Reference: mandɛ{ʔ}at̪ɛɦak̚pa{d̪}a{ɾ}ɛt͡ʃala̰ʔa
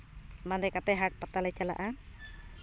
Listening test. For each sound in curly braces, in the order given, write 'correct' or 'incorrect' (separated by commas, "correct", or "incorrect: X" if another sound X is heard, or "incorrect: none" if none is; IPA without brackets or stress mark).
incorrect: k, incorrect: t̪, incorrect: l